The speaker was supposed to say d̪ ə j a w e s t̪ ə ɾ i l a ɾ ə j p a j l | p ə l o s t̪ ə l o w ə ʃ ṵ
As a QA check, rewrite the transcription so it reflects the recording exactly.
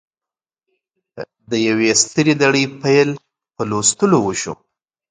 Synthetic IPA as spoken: d̪ ə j a w e s t̪ ə ɾ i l a ɽ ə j p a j l | p ə l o s t̪ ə l o w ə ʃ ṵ